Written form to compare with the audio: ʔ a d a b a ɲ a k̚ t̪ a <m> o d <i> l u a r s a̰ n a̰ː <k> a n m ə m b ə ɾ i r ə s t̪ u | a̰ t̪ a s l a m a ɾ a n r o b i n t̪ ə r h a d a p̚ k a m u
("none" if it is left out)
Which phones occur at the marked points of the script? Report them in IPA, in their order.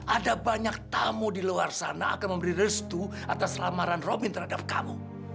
m, i, k

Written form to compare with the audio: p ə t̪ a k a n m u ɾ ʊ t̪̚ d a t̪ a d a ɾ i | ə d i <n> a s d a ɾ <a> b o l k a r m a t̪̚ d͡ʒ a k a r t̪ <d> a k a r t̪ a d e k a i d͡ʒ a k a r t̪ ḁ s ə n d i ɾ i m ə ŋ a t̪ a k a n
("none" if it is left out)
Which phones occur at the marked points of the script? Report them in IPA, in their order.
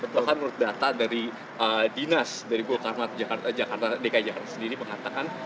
n, i, d͡ʒ

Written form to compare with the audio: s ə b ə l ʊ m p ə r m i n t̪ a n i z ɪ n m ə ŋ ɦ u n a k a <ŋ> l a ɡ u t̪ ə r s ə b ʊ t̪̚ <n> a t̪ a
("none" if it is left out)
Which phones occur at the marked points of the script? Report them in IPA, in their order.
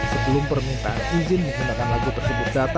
n, d

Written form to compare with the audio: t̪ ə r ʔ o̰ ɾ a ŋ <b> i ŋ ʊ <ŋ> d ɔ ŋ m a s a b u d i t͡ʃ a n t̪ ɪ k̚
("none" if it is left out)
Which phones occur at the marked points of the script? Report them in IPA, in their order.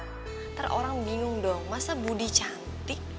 b, ŋ

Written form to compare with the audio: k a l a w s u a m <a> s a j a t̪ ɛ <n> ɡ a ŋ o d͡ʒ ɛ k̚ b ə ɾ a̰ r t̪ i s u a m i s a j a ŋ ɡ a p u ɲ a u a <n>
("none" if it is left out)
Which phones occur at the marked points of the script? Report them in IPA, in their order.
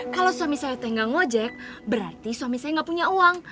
i, ŋ, ŋ

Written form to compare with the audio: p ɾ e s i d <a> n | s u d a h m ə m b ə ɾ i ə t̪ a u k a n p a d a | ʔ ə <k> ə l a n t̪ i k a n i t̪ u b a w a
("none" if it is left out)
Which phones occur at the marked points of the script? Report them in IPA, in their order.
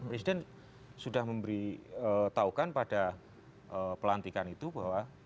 ɛ, p

